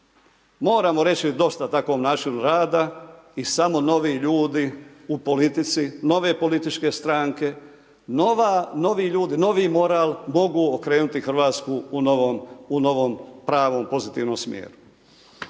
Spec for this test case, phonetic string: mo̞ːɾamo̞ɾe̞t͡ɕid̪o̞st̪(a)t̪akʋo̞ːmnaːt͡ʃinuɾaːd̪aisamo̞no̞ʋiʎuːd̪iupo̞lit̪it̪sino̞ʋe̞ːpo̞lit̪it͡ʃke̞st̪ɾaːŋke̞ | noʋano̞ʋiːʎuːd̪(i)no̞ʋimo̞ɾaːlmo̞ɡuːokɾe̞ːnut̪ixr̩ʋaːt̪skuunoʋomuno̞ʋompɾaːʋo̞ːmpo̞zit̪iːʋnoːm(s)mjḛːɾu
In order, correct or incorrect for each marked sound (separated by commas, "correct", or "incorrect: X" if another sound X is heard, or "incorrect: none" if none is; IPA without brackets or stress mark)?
correct, correct, correct